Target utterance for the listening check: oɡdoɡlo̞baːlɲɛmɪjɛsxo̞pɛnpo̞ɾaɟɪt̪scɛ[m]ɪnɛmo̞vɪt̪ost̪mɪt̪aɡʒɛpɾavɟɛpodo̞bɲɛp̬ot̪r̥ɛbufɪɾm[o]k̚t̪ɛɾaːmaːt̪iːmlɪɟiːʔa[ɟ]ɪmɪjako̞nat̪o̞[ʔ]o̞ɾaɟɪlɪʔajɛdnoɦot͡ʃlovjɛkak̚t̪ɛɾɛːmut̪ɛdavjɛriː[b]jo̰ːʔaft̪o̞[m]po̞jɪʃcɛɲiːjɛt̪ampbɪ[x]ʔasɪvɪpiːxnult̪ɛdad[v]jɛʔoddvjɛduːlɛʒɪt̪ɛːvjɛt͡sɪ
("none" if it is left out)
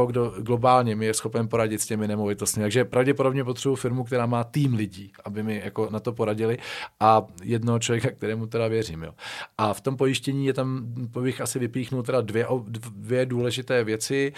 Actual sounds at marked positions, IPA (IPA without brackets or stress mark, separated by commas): m, u, b, p, m, m, x, v